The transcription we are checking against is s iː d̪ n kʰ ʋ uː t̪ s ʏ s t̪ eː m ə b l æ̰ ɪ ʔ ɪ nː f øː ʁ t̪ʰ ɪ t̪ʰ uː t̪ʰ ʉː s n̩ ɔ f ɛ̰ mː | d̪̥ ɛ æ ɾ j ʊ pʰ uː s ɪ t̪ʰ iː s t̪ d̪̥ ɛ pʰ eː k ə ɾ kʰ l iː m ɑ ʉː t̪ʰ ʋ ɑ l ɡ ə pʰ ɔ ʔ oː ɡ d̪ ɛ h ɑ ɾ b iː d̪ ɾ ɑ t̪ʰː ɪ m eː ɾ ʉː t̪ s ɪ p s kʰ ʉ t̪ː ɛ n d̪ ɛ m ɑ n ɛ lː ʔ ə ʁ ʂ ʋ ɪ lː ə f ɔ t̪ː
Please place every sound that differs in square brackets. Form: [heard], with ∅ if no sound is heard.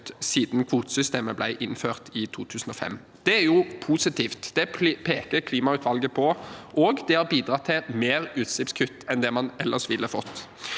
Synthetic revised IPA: s iː d̪ n kʰ ʋ uː t̪ s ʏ s t̪ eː m ə b l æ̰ ɪ ʔ ɪ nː f øː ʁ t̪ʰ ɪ t̪ʰ uː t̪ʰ ʉː s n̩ ɔ f ɛ̰ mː | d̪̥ ɛ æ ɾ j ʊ pʰ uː s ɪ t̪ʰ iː [f] t̪ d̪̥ ɛ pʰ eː k ə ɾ kʰ l iː m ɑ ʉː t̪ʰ ʋ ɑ l ɡ ə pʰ ɔ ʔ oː ɡ d̪ ɛ h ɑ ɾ b iː d̪ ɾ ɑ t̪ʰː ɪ m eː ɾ ʉː t̪ s ɪ p s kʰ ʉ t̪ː ɛ n d̪ ɛ m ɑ n ɛ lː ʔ ə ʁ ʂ ʋ ɪ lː ə f ɔ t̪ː